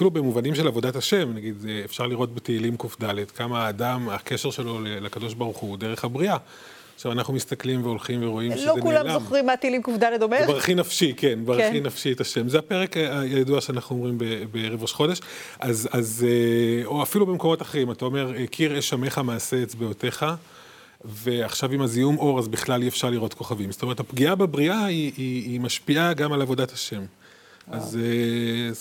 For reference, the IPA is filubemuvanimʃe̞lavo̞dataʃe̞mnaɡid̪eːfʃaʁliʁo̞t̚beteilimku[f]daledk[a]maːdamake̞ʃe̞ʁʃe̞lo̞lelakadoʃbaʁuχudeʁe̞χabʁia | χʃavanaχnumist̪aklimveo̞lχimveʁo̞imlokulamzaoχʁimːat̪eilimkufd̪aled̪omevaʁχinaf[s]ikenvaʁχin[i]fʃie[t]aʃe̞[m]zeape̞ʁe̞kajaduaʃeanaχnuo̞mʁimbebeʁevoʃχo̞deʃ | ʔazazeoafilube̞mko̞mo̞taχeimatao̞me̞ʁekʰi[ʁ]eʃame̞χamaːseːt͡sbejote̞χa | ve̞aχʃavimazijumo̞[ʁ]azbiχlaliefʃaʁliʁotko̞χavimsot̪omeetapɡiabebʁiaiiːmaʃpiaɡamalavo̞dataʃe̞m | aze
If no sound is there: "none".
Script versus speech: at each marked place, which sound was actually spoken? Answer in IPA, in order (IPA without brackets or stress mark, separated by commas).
f, a, ʃ, a, t, m, ʁ, ʁ